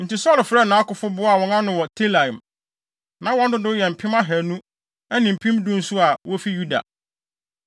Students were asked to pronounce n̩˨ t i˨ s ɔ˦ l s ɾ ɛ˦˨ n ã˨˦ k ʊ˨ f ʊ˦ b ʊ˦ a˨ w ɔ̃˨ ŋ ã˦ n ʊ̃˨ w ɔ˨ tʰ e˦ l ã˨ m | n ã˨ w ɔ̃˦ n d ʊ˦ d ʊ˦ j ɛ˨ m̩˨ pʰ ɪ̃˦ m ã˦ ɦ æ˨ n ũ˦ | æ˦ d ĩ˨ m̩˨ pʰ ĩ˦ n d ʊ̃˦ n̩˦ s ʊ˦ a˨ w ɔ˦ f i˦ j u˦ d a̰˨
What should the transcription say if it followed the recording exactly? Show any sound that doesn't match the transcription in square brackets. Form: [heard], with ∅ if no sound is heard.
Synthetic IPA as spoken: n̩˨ t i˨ s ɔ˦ l [f] ɾ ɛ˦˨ n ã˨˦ k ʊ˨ f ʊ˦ b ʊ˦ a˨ w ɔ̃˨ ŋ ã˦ n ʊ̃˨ w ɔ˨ tʰ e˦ l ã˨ m | n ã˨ w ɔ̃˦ n d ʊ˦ d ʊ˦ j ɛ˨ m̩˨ pʰ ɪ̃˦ m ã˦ ɦ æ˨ n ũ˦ | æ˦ [n] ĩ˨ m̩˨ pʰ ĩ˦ [m] d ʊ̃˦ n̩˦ s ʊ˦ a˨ w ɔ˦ f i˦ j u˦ d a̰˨